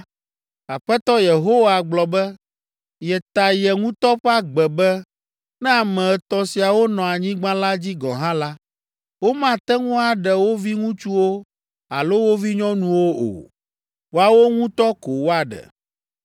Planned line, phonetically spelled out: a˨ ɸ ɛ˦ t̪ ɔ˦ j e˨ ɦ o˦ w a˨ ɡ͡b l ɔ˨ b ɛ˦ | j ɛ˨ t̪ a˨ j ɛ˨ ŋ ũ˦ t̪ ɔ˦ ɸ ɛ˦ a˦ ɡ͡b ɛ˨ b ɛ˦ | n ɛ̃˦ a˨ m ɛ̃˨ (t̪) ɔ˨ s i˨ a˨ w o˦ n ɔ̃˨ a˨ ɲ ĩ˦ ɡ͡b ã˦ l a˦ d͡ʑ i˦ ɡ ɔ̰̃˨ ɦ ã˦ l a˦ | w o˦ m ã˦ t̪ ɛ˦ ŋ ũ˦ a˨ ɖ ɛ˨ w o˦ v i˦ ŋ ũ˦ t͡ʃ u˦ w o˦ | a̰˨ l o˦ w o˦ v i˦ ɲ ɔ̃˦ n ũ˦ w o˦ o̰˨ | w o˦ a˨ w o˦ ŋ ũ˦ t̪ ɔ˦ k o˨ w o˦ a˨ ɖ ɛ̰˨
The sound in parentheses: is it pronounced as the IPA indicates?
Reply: yes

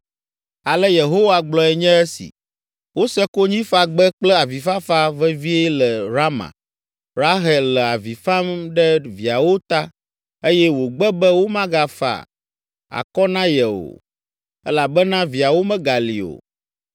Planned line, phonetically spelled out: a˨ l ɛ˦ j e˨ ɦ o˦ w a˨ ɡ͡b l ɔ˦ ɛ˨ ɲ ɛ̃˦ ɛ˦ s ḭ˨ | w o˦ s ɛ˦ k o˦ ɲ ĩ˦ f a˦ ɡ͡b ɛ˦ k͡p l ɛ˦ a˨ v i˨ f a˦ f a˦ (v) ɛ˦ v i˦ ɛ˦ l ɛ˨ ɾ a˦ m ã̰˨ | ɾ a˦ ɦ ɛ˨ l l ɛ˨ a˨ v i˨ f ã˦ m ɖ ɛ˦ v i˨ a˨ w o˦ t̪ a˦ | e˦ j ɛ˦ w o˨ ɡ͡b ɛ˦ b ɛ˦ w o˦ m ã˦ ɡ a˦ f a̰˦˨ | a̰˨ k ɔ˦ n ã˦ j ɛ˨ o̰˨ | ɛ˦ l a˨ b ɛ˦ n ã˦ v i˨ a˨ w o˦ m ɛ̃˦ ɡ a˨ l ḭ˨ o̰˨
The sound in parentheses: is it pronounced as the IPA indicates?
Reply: yes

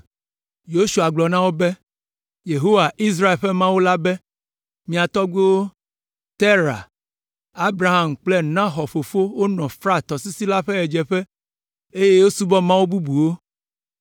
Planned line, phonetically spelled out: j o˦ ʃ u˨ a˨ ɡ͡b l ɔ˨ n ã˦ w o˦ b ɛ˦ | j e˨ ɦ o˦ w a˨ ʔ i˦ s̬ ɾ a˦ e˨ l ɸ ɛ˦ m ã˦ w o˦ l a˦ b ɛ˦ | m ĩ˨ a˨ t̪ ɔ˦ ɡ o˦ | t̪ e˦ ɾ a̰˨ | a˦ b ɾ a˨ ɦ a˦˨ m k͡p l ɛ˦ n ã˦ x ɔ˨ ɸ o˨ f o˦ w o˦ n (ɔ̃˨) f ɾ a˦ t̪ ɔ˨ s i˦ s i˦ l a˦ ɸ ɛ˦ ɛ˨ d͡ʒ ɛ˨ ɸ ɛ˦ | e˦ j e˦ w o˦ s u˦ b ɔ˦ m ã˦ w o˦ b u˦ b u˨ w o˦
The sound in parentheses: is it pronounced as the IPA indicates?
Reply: yes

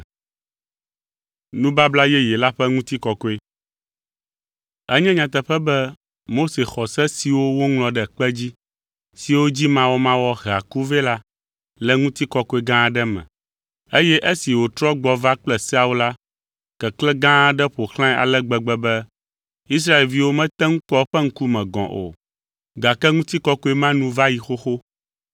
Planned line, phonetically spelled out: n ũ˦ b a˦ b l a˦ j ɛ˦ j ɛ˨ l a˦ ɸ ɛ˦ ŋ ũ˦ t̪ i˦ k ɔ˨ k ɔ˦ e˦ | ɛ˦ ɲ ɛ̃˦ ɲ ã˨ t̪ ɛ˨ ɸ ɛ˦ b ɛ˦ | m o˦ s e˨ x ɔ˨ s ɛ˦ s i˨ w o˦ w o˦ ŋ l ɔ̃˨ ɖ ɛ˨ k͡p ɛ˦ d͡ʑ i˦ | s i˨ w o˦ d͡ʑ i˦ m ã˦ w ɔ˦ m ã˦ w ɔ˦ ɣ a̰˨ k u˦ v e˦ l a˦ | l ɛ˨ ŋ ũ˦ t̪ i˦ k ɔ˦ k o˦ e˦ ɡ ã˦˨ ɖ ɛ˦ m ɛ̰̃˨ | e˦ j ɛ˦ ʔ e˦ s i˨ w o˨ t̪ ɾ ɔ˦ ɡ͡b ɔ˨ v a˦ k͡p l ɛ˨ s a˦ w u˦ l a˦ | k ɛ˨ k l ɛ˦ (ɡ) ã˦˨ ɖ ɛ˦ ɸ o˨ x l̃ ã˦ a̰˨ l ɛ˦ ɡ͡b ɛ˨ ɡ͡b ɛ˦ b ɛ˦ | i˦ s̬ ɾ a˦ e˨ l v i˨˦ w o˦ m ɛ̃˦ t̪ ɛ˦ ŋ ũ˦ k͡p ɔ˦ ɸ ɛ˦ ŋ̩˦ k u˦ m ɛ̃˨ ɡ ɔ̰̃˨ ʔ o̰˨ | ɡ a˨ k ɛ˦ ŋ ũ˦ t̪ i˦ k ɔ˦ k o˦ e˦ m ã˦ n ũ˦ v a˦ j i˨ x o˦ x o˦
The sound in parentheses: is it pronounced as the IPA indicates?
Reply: yes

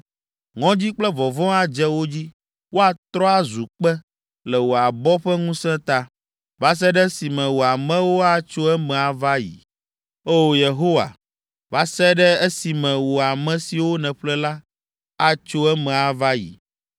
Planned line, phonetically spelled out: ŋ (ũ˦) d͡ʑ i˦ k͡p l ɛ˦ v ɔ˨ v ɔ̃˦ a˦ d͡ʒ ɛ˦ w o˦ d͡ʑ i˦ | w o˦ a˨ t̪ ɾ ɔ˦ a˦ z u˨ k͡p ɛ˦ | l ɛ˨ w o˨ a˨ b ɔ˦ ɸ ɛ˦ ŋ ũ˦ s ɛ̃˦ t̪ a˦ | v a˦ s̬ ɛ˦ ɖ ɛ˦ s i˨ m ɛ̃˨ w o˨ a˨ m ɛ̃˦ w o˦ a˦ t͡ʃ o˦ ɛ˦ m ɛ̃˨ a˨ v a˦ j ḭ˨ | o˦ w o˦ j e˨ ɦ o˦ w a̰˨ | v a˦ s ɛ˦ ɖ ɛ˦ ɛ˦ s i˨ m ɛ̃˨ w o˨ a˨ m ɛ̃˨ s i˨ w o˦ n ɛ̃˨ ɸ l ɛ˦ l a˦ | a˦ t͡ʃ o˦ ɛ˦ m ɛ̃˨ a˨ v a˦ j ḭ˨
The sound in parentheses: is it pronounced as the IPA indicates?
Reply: no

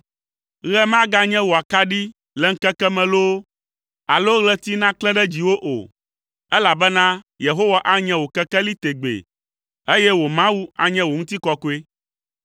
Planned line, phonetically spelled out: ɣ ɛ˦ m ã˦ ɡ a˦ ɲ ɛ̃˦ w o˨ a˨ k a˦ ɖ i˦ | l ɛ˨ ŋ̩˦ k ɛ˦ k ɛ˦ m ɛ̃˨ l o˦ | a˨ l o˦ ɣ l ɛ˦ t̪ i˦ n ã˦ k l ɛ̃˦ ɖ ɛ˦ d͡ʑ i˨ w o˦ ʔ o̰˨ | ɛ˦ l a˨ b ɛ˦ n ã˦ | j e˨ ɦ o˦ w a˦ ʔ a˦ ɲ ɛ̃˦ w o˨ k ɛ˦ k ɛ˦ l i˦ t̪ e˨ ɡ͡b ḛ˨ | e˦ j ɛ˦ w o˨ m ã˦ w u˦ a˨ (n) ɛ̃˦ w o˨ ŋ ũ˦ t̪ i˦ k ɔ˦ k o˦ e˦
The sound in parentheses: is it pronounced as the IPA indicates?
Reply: no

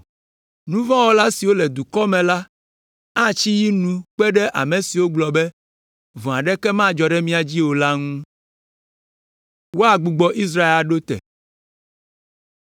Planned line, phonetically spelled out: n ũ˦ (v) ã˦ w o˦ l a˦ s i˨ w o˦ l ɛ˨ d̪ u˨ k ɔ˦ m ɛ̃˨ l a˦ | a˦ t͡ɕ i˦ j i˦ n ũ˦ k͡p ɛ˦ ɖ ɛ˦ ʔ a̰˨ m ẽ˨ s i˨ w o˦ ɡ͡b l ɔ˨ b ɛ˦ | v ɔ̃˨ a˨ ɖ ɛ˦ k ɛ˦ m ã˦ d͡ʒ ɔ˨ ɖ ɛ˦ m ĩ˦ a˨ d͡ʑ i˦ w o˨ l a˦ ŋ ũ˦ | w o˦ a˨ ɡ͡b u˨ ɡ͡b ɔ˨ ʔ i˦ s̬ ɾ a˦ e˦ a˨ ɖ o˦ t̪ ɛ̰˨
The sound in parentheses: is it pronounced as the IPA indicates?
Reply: yes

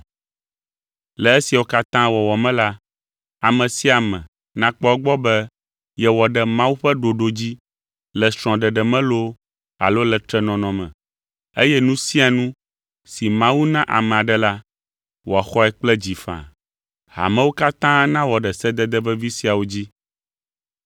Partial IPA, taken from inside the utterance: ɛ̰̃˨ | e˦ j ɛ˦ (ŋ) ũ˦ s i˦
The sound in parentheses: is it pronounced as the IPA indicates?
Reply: no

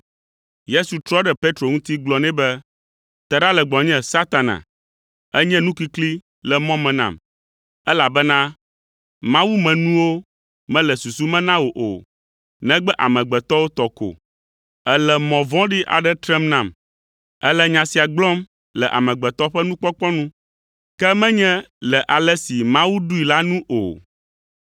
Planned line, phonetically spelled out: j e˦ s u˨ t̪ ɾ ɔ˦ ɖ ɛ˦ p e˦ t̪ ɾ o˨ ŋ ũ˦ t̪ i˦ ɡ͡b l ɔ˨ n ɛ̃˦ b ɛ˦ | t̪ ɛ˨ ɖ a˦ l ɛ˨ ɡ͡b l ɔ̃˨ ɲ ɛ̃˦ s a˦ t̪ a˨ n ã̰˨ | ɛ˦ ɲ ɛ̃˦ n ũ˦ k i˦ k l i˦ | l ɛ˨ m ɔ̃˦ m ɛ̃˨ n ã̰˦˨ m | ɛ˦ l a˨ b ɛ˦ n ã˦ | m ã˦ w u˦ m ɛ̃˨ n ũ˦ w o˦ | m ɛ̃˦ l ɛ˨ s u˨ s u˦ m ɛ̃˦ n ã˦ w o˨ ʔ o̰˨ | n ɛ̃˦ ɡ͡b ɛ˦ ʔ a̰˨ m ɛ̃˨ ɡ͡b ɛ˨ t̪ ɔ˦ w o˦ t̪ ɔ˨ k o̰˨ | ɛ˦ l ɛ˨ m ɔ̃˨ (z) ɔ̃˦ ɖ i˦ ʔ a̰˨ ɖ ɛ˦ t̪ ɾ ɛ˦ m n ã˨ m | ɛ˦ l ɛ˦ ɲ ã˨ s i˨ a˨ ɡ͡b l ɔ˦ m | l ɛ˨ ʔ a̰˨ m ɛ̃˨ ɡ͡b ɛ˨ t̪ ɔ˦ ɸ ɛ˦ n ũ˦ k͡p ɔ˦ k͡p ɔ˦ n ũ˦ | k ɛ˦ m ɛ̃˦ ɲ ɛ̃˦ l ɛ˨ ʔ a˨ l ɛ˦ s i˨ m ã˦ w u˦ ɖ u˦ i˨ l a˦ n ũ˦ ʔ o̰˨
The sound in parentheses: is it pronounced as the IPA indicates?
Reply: no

